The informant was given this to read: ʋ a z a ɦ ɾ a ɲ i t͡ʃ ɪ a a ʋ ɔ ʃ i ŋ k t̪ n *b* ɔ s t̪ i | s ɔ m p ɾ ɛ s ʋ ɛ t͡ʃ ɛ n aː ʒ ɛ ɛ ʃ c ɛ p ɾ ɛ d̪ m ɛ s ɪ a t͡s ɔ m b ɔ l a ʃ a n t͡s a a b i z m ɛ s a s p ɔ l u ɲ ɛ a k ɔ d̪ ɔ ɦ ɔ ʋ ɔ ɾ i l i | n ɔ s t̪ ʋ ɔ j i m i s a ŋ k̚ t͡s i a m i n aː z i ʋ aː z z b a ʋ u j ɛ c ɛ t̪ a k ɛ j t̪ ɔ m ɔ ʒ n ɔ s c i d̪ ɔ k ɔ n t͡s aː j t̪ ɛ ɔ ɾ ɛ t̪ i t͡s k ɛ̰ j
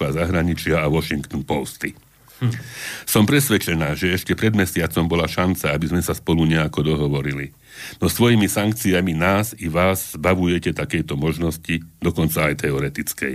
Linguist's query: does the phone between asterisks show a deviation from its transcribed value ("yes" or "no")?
yes